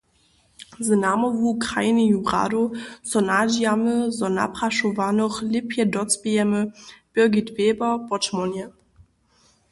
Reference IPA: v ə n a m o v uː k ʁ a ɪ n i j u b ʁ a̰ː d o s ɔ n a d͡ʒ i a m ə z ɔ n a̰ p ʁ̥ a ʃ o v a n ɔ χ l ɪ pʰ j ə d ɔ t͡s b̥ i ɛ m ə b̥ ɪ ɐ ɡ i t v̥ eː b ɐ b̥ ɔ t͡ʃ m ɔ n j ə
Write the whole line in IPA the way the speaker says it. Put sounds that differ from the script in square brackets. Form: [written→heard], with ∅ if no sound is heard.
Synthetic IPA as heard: [v→z] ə n a m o v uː k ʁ a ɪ n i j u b ʁ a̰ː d o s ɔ n a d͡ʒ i a m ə z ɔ n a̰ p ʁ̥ a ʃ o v a n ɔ χ l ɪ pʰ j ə d ɔ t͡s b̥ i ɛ m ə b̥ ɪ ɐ ɡ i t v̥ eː b ɐ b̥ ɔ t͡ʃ m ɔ n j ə